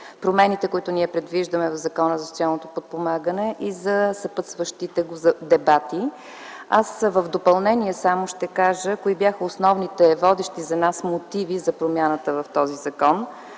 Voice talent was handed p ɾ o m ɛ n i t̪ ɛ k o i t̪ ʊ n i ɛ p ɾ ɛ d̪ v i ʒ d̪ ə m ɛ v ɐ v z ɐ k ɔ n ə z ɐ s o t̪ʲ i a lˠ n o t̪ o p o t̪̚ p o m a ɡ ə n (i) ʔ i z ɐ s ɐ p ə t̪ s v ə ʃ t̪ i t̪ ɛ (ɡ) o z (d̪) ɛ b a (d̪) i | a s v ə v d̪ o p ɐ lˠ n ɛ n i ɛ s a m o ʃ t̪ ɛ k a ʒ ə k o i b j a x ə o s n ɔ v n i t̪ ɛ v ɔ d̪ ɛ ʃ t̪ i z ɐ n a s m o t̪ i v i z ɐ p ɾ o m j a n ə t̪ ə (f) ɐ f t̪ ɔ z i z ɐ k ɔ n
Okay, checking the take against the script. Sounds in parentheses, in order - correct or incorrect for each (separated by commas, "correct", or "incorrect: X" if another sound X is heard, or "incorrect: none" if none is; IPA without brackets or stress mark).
incorrect: ɛ, correct, correct, incorrect: t̪, incorrect: v